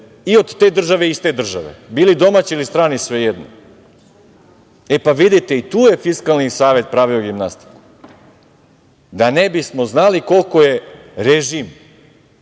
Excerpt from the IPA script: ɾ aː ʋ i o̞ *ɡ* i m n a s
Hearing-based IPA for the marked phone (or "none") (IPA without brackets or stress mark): ɡ